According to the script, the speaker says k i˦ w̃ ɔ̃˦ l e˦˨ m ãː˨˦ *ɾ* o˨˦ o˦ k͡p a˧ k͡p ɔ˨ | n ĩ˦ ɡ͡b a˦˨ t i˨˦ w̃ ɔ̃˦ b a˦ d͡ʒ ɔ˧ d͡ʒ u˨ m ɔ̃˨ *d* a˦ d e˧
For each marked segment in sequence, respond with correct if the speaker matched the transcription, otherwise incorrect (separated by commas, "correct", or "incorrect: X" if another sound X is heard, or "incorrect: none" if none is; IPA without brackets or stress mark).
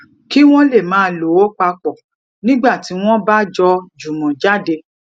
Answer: incorrect: l, incorrect: d͡ʒ